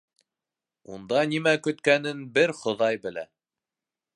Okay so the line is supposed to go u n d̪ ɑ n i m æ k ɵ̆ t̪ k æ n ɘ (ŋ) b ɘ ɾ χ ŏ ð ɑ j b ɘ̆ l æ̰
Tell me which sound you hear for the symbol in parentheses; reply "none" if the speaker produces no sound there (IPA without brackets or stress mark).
n